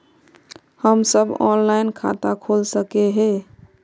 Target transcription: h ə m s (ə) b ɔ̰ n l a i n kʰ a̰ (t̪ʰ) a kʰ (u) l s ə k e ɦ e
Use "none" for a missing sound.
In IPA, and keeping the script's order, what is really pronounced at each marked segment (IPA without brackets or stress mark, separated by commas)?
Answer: ə, t̪, o